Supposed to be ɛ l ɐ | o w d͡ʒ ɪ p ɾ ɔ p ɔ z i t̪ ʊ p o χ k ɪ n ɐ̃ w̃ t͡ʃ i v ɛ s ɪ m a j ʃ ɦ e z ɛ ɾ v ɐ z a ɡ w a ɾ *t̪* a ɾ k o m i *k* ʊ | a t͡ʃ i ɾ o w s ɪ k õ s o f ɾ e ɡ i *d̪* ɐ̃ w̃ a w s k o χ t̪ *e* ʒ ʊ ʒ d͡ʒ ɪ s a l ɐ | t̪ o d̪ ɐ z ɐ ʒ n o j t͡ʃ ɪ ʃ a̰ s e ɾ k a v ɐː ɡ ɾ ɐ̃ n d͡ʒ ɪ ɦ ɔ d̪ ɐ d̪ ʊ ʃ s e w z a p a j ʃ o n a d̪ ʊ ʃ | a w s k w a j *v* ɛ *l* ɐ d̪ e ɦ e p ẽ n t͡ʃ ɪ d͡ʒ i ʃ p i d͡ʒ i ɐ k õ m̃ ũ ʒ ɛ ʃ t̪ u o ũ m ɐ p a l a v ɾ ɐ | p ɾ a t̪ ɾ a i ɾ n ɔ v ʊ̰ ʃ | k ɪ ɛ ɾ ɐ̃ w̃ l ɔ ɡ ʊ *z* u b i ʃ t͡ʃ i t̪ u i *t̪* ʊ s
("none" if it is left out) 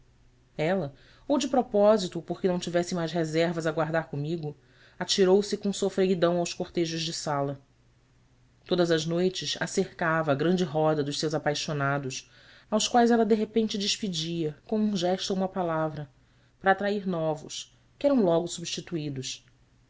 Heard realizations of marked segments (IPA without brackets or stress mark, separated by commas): d̪, ɡ, d̪, e, z, l, s, d̪